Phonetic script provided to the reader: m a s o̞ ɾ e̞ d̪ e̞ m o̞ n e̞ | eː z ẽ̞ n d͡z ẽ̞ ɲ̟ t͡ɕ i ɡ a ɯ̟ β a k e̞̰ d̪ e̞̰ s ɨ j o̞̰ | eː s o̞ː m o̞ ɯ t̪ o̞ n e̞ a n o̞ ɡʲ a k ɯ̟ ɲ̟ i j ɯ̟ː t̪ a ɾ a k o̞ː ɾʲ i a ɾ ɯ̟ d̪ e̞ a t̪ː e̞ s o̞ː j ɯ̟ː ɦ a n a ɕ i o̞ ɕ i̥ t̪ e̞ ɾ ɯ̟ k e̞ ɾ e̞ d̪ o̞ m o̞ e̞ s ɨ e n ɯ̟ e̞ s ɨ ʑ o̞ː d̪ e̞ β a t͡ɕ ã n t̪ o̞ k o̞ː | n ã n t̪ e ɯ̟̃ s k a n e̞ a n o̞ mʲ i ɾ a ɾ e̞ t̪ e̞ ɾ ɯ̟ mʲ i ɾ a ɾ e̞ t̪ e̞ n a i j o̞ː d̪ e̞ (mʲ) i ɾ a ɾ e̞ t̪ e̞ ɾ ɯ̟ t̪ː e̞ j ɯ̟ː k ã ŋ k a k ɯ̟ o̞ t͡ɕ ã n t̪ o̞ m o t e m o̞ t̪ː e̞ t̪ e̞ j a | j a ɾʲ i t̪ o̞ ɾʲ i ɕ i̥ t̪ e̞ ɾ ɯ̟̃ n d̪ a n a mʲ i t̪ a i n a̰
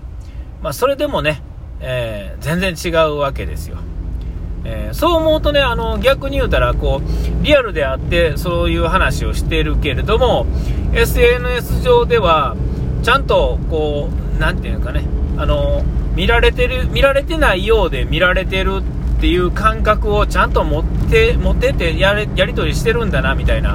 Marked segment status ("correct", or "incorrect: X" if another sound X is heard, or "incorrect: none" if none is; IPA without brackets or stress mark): correct